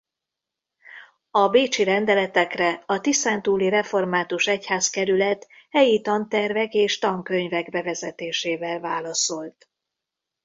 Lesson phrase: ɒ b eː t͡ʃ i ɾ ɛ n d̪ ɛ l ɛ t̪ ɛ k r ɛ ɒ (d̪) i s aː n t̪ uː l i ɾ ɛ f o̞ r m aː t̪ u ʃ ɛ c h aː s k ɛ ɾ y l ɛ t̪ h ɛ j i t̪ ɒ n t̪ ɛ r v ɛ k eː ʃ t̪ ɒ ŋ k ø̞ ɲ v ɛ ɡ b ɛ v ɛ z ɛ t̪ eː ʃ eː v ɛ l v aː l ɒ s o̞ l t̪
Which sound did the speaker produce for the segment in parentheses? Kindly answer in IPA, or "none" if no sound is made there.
t̪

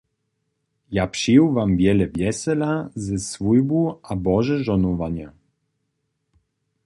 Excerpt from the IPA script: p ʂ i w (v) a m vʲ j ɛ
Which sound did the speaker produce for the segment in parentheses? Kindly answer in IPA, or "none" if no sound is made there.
v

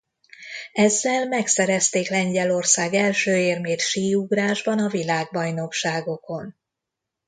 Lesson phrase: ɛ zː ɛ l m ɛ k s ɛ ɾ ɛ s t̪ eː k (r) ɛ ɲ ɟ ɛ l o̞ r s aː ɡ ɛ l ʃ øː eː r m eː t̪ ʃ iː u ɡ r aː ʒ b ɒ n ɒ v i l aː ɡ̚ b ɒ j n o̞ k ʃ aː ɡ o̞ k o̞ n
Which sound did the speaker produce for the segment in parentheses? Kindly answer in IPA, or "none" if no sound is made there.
l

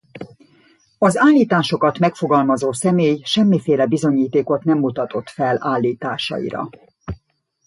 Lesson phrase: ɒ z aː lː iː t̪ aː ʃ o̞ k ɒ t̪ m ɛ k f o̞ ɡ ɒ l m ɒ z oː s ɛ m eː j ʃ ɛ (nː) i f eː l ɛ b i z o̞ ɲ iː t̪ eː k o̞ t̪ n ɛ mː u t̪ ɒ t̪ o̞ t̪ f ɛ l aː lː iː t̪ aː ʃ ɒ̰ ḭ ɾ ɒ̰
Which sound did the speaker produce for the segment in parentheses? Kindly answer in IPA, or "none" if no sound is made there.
mː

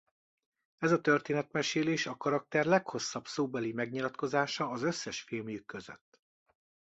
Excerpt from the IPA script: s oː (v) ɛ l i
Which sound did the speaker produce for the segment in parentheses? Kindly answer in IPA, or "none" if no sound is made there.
b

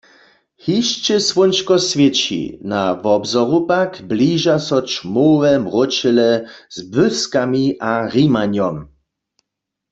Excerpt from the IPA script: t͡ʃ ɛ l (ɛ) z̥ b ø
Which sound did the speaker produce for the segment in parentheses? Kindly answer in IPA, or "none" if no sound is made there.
ɛ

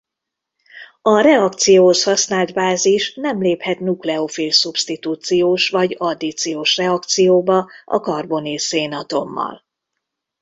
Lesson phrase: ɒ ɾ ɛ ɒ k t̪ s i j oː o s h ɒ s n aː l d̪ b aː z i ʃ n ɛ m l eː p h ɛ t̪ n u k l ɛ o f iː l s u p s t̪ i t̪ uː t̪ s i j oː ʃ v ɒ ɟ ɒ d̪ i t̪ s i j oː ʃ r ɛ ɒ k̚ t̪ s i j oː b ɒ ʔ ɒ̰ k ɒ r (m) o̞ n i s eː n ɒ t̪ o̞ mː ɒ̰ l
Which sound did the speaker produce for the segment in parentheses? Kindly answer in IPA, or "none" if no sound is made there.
b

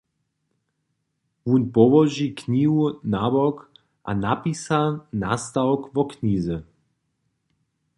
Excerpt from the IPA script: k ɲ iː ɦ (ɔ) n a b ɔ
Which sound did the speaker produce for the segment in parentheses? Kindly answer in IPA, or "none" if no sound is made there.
u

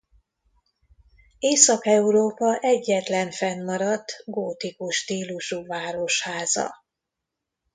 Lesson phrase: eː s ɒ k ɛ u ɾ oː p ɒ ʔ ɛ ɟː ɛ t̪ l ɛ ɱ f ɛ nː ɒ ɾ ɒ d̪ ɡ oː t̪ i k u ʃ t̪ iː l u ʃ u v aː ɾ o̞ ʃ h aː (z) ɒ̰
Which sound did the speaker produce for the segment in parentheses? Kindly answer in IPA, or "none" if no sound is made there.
z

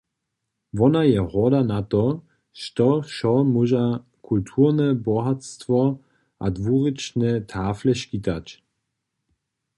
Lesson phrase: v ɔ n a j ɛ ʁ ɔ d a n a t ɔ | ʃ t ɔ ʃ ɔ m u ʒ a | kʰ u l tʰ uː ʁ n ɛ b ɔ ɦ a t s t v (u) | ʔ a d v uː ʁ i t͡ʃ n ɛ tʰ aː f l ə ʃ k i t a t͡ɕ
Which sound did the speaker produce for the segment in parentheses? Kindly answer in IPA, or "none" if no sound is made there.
ɔ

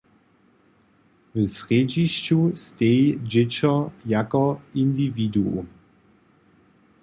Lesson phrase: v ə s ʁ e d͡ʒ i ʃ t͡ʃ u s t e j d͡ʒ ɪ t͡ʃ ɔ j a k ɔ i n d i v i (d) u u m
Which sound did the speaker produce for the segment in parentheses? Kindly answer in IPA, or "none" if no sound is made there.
d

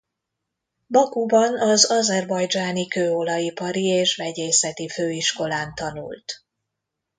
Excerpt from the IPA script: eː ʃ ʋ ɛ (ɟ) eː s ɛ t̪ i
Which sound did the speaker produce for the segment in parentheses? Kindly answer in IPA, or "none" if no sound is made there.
ɟ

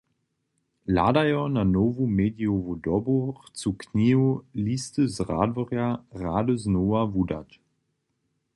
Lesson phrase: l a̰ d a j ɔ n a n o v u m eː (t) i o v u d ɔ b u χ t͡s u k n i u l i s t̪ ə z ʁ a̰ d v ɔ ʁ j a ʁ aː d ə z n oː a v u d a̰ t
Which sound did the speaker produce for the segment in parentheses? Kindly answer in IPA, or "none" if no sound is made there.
d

